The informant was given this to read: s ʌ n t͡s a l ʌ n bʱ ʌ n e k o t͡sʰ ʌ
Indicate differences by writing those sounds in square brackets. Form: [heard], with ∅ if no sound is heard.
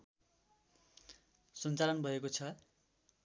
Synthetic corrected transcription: s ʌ n t͡s a l ʌ n bʱ ʌ [∅] e k o t͡sʰ ʌ